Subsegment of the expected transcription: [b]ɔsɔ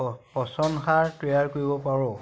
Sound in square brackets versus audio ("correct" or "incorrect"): incorrect